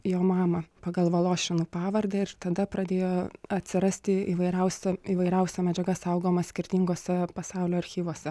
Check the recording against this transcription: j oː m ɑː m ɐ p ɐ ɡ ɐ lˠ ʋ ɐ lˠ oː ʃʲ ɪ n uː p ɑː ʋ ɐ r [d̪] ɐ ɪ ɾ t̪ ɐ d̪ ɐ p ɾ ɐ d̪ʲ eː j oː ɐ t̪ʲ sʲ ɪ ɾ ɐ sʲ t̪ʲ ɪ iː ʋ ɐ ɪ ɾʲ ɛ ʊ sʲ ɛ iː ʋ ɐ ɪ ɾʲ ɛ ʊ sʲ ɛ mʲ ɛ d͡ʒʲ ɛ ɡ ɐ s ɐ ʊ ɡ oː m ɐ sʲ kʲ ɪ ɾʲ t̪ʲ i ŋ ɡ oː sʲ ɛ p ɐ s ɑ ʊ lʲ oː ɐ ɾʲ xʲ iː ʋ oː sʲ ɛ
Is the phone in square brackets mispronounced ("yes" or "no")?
no